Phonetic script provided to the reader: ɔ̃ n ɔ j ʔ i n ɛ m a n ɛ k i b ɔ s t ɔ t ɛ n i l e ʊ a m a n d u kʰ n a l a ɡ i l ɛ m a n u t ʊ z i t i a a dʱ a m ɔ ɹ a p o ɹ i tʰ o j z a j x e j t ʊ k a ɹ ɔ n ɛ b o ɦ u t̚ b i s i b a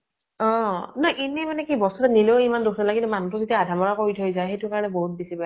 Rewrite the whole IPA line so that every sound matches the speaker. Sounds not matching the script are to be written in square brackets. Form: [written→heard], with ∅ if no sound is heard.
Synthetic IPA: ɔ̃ n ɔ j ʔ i n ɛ m a n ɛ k i b ɔ s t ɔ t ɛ n i l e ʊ [a→i] m a n d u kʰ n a l a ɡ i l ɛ m a n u t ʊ z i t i a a dʱ a m ɔ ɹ a [p→k] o ɹ i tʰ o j z a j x e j t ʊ k a ɹ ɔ n ɛ b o ɦ u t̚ b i s i b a